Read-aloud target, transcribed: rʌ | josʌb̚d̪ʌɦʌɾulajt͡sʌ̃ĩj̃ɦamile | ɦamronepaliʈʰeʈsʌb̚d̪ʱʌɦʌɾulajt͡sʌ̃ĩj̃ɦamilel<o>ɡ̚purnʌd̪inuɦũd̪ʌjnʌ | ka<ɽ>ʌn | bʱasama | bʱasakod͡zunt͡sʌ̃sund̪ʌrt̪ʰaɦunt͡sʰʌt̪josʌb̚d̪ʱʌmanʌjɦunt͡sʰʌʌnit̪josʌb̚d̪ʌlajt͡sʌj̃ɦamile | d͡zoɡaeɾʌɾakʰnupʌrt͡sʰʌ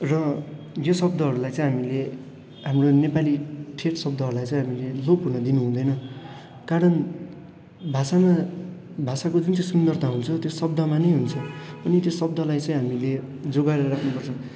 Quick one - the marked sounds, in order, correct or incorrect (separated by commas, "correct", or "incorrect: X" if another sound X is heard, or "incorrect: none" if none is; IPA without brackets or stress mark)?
correct, incorrect: ɾ